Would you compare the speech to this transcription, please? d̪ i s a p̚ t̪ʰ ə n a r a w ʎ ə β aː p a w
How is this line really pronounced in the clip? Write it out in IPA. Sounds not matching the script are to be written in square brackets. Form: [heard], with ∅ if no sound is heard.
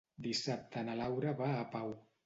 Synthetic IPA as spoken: d̪ i s a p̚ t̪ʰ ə n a [l] a w [ɾ] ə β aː p a w